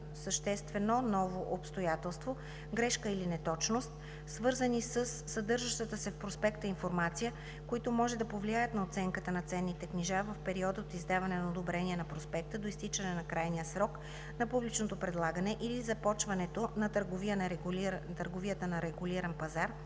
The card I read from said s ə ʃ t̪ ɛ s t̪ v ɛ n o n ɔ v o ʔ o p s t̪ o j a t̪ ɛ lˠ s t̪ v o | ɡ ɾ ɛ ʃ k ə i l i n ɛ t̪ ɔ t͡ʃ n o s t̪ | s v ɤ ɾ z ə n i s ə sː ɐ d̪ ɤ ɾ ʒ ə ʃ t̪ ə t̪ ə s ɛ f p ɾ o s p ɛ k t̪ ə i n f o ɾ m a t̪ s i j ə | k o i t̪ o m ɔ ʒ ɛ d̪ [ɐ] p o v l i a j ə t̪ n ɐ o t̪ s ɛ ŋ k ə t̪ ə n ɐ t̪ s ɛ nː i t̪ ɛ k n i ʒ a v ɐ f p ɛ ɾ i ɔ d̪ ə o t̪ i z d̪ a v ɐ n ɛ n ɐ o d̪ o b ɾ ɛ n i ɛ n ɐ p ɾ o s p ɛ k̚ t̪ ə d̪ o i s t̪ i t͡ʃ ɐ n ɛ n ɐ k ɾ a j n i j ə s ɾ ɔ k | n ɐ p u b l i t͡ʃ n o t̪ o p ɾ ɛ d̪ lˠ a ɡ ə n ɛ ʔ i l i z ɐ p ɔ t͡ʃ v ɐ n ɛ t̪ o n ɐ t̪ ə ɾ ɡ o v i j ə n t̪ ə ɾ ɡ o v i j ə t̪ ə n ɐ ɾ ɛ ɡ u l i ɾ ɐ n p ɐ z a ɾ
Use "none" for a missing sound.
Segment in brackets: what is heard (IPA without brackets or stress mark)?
ɐ